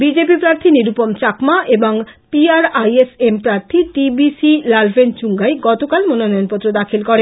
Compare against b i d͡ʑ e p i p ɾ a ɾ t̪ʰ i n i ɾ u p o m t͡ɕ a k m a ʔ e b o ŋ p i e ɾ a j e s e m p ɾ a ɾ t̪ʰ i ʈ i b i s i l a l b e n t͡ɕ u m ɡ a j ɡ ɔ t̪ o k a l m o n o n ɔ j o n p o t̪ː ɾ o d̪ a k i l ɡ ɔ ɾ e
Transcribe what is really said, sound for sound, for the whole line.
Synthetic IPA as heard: b i d͡ʑ e p i p ɾ a ɾ t̪ʰ i n i ɾ u p o m t͡ɕ a k m a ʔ e b o ŋ p i a ɾ a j e s e m p ɾ a ɾ t̪ʰ i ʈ i b i s i l a l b e n t͡ɕ u ŋ ɡ a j ɡ ɔ t̪ o k a l m o n o n ɔ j o n p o t̪ː ɾ o d̪ a kʰ i l k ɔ ɾ e

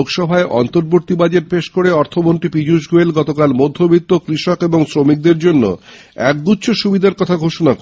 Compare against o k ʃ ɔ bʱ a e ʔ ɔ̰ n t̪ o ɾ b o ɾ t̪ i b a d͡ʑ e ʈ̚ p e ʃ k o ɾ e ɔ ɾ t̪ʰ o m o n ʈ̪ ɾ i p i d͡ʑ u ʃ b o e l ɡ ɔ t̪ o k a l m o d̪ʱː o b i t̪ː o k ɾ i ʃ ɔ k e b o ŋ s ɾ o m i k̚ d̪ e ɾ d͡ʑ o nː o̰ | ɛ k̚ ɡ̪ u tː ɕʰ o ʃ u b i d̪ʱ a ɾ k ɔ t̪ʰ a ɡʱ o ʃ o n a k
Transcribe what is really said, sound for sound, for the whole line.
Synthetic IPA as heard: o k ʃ ɔ bʱ a e ʔ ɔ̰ n t̪ o ɾ b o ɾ t̪ i b a d͡ʑ e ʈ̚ p e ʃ k o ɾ e ɔ ɾ t̪ʰ o m o n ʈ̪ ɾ i p i d͡ʑ u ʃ ɡ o e l ɡ ɔ t̪ o k a l m o d̪ʱː o b i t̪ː o k ɾ i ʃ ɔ k e b o ŋ s ɾ o m i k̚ d̪ e ɾ d͡ʑ o nː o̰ | ɛ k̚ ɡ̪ u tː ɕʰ o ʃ u b i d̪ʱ a ɾ k ɔ t̪ʰ a ɡʱ o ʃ o n a k

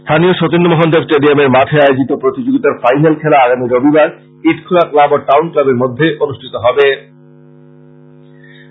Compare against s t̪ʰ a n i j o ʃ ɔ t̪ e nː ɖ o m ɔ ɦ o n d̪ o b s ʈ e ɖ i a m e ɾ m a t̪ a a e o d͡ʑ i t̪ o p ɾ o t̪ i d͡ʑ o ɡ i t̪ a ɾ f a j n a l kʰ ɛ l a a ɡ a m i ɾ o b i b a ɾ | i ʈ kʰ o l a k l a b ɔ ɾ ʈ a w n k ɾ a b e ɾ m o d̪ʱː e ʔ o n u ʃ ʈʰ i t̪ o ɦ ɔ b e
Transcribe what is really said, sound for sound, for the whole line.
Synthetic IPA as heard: s t̪ʰ a n i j o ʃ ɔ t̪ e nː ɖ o m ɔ ɦ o n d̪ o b s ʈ e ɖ i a m e ɾ m a t̪ʰ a a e o d͡ʑ i t̪ o p ɾ o t̪ i d͡ʑ o ɡ i t̪ a ɾ f a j n a l kʰ ɛ l a a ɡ a m i ɾ o b i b a ɾ | i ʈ kʰ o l a k l a b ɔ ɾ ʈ a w n k l a b e ɾ m o d̪ʱː e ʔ o n u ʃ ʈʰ i t̪ o ɦ ɔ b e

